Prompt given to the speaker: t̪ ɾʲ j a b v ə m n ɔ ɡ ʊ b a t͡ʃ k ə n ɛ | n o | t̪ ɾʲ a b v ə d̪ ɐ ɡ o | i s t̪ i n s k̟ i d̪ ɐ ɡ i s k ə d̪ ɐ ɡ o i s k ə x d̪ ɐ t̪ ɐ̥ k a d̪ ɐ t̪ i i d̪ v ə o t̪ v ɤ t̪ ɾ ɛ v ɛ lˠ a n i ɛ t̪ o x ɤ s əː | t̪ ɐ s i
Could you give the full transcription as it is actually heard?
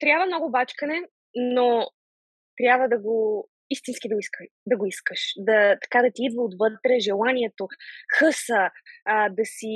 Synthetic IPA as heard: t̪ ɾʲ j a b v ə m n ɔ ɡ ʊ b a t͡ʃ k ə n ɛ | n o | t̪ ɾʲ a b v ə d̪ ɐ ɡ o | i s t̪ i n s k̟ i d̪ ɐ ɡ i s k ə d̪ ɐ ɡ o i s k ə ʃ d̪ ɐ t̪ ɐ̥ k a d̪ ɐ t̪ i i d̪ v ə o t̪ v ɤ t̪ ɾ ɛ ʒ ɛ lˠ a n i ɛ t̪ o x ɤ s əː | d̪ ɐ s i